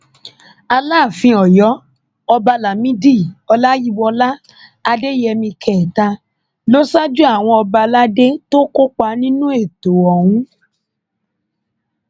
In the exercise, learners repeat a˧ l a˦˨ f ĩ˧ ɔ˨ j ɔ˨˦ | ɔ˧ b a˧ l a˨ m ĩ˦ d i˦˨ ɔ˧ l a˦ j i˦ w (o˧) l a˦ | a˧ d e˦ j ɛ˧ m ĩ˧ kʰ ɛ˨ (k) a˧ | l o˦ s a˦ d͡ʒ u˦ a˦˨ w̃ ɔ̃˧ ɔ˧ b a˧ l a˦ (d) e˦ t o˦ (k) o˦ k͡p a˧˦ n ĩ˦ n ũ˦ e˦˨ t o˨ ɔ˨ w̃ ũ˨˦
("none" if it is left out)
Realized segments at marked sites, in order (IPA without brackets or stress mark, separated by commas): ɔ˧, t, d, k